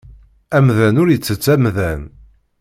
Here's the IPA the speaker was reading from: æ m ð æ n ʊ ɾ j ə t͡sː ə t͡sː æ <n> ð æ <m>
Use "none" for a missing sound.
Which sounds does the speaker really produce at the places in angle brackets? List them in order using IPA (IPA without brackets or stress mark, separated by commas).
m, n